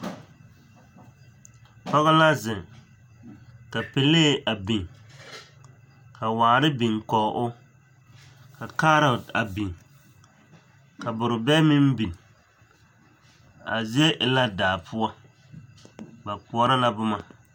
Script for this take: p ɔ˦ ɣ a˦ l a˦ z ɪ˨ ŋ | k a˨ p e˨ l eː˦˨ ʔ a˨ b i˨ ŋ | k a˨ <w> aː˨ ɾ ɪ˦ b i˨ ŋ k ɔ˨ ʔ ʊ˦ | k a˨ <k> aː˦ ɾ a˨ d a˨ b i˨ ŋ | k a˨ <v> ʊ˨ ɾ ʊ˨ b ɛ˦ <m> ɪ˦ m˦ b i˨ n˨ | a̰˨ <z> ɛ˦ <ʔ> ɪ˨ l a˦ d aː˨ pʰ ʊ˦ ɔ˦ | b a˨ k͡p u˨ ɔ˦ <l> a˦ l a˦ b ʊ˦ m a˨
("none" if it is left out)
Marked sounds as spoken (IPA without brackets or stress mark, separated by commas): w, k, b, m, z, ʔ, ɾ